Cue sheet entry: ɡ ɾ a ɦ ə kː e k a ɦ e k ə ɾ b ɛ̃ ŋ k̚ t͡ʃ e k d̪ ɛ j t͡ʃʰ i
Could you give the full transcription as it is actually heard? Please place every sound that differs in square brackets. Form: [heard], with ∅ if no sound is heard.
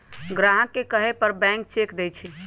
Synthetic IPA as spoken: ɡ ɾ a ɦ ə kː e k [ə] ɦ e [p] ə ɾ b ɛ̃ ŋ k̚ t͡ʃ e k d̪ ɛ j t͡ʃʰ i